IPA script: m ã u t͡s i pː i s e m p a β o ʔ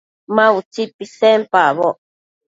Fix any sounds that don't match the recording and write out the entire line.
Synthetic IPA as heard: m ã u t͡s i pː i s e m p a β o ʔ